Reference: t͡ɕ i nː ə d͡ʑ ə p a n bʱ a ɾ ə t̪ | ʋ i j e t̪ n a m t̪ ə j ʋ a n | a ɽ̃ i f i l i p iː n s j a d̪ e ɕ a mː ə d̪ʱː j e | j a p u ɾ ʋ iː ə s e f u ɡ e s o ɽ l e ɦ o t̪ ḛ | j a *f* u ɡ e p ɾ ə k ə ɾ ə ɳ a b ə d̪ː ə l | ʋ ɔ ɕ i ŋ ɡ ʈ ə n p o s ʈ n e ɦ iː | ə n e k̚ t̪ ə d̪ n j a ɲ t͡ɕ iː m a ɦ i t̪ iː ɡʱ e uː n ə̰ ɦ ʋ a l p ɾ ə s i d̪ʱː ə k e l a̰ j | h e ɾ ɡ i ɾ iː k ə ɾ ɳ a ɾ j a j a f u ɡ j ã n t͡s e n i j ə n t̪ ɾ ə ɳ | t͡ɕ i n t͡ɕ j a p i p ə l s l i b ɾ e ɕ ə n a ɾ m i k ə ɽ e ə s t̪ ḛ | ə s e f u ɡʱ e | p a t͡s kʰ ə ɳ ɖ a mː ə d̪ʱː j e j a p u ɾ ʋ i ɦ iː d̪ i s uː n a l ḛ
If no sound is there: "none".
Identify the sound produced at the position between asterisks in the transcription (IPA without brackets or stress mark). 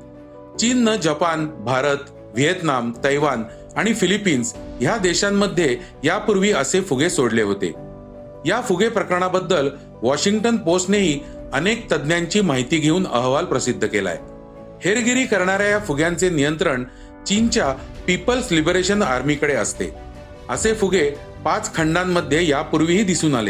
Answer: f